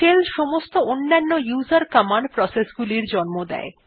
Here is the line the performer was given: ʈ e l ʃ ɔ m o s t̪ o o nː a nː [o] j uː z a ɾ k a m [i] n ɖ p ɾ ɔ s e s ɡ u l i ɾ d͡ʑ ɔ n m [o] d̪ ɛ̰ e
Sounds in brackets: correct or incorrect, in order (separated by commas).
correct, incorrect, correct